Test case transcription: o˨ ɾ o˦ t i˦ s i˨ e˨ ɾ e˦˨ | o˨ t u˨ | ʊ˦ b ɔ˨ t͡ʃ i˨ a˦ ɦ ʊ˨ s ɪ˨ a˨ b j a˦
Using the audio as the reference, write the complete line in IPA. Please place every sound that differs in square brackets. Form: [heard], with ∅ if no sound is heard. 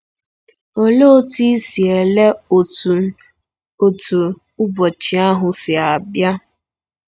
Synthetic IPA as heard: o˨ [l] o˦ t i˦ s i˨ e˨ [l] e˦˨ | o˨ t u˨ | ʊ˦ b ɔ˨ t͡ʃ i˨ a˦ ɦ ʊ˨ s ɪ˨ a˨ b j a˦